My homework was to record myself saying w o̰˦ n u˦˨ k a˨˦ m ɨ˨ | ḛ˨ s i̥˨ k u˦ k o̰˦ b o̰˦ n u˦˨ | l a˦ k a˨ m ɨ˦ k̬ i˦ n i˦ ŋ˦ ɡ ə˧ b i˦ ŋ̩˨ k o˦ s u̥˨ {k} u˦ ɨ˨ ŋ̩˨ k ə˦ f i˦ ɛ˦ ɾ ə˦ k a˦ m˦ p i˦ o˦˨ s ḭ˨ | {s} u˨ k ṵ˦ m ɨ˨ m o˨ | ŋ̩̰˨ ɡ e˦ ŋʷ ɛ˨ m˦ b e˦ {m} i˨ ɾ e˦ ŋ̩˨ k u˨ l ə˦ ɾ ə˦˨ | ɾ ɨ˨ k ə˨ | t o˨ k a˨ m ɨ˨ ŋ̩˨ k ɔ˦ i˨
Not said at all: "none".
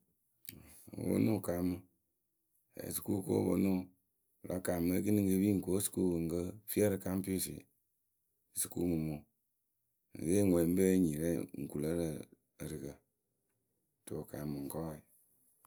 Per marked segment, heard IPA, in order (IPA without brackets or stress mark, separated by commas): k, s, ɲ